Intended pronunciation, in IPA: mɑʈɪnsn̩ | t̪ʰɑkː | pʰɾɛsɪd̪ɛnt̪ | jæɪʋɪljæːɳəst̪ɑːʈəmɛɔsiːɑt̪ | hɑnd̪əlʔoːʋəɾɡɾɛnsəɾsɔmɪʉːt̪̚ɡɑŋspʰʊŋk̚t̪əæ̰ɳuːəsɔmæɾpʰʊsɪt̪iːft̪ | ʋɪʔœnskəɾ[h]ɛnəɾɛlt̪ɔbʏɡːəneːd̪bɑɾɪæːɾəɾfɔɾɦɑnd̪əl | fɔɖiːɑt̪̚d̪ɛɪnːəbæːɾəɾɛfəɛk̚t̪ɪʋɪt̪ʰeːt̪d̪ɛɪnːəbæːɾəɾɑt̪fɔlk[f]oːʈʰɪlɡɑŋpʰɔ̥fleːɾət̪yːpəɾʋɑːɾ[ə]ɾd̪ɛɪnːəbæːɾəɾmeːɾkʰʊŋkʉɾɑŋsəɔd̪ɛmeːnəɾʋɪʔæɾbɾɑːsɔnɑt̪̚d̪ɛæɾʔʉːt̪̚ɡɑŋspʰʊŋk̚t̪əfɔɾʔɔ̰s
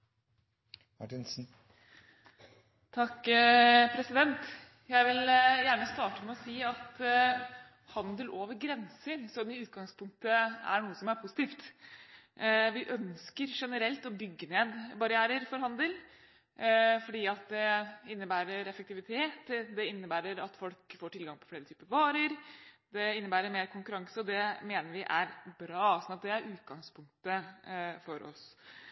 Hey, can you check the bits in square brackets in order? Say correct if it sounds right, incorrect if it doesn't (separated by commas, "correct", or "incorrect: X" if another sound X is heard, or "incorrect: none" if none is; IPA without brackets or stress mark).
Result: incorrect: ʂ, correct, correct